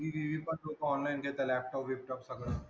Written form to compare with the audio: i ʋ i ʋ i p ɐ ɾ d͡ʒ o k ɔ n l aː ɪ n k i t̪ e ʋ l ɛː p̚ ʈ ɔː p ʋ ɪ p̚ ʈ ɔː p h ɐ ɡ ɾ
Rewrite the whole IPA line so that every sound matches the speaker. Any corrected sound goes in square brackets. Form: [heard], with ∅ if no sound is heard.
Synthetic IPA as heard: i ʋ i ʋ i p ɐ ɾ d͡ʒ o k [ɔː] n l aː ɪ n k [e] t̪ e [∅] l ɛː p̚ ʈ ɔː p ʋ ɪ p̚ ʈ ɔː p [s] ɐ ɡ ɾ